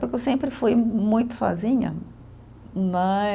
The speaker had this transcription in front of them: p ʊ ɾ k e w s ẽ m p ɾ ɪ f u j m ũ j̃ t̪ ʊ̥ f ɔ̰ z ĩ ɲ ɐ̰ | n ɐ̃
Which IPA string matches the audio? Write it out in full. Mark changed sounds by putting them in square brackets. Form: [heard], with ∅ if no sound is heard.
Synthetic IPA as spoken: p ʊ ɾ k e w s ẽ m p ɾ ɪ f u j m ũ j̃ t̪ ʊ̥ [s] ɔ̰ z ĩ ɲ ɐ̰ | n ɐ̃